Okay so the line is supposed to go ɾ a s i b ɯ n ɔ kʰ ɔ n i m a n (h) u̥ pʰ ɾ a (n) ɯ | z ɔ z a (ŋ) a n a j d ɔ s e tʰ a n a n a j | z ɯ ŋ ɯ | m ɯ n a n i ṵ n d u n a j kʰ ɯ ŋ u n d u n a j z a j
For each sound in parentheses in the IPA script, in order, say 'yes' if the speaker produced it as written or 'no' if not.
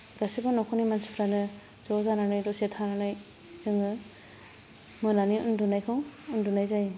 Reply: no, yes, no

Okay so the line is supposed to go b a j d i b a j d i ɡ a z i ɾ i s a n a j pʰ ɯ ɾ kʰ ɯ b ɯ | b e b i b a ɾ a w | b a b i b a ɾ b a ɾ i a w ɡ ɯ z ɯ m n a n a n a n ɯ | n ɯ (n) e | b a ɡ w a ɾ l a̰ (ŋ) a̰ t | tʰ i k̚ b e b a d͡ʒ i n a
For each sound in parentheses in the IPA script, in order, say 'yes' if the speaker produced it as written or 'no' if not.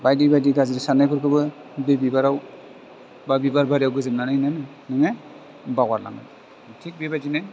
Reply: no, yes

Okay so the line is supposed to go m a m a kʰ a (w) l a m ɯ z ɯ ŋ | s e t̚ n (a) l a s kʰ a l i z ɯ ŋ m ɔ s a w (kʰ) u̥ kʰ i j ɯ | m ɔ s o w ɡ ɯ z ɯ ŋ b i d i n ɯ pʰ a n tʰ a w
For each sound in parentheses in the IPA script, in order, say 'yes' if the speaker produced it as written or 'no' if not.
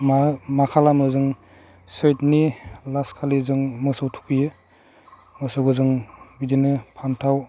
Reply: no, no, no

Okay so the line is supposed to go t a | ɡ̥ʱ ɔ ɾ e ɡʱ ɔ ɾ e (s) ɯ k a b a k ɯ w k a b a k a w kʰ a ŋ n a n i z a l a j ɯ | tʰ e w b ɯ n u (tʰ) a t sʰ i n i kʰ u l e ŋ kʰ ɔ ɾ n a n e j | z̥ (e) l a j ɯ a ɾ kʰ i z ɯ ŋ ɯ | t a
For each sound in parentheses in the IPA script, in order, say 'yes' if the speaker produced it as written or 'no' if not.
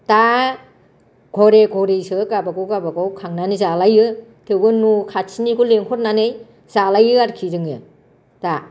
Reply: yes, no, no

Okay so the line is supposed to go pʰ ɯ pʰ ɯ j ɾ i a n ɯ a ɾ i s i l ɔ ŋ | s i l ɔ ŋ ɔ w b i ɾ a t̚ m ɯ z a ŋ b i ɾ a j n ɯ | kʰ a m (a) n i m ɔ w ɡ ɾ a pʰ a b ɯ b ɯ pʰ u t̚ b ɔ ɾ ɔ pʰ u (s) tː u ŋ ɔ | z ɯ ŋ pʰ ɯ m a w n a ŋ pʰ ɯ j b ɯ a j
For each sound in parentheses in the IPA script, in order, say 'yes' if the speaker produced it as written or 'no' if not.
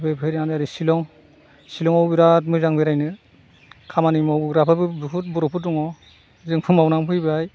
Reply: yes, no

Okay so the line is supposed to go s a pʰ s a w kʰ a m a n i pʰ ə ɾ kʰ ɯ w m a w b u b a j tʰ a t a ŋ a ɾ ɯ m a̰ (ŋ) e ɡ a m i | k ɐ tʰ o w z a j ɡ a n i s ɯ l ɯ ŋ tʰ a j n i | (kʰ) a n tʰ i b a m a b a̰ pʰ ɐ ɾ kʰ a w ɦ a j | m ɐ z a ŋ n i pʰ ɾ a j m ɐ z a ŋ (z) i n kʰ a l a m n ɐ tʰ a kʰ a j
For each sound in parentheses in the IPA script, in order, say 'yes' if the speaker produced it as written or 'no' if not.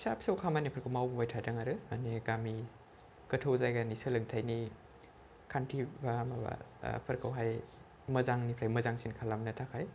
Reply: no, yes, no

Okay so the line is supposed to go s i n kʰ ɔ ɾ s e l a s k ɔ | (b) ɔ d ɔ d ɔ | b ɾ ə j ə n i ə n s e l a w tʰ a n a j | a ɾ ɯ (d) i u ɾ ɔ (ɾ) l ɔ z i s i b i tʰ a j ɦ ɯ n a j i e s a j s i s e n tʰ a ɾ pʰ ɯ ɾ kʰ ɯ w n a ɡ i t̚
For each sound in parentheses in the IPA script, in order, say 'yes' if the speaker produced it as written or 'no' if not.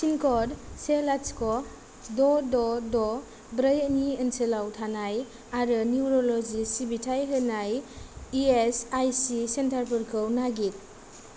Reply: no, no, no

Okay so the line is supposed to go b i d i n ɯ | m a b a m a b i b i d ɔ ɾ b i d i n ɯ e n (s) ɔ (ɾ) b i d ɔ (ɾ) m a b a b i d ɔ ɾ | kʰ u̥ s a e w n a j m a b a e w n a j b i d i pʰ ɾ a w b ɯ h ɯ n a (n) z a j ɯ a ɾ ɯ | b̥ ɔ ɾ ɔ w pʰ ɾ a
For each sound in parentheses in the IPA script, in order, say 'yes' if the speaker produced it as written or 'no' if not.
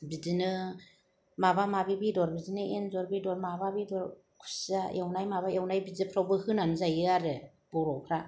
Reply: no, yes, yes, yes

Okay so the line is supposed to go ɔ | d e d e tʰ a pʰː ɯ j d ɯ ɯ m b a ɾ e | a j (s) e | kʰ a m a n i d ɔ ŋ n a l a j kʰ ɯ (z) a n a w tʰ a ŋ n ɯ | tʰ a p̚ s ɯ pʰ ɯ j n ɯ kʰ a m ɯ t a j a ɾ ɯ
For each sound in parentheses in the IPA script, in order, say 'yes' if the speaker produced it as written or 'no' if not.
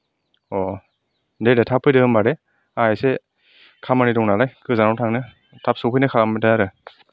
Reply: yes, yes

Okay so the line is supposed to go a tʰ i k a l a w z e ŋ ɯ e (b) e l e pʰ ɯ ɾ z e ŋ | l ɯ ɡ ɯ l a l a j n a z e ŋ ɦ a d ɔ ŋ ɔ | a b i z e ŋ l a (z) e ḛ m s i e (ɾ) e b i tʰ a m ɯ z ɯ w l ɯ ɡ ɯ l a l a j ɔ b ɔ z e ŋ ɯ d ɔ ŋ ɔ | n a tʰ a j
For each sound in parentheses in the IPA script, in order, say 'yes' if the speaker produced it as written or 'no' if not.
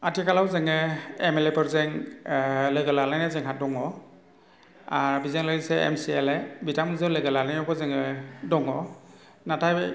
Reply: no, no, no

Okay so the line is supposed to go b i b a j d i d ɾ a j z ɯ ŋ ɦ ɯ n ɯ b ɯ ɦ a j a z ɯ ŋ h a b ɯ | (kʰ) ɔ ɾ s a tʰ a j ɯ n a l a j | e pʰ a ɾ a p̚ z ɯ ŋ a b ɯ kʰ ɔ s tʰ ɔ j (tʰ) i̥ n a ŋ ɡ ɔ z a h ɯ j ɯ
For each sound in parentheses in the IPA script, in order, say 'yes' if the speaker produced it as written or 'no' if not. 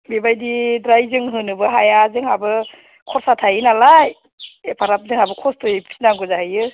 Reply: yes, no

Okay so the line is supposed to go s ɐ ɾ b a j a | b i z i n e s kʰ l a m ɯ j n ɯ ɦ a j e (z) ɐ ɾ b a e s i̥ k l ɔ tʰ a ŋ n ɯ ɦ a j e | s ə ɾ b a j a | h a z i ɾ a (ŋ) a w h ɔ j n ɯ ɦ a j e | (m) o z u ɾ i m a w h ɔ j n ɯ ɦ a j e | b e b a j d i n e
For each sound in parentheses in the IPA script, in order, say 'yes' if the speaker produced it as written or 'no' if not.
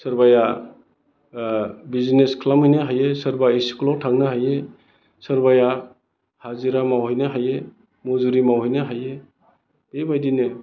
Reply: no, no, yes

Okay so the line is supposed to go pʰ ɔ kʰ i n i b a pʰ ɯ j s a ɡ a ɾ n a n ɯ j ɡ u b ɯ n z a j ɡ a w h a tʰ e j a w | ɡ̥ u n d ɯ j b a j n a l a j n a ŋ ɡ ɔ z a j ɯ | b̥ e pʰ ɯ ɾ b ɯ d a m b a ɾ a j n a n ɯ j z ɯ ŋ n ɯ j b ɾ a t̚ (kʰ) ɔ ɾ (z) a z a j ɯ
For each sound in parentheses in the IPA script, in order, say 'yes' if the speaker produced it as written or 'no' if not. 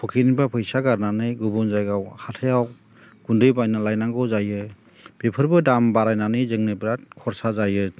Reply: yes, no

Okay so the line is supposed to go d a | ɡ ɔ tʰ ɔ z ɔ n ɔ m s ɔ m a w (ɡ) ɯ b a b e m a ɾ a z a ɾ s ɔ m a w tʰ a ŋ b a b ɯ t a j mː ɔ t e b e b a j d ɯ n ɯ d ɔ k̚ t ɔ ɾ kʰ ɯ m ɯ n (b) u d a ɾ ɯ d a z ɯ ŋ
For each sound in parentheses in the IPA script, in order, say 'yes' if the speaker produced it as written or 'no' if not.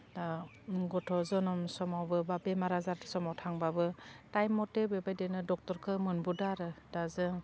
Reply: no, yes

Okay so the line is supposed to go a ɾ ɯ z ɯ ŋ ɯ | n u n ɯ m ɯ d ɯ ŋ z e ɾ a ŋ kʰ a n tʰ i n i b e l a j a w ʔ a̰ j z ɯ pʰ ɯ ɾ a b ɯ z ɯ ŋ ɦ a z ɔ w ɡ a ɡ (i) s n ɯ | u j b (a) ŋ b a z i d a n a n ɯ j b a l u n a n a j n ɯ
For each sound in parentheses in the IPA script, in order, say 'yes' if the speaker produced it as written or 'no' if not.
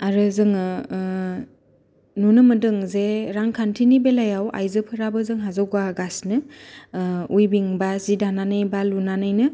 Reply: no, no

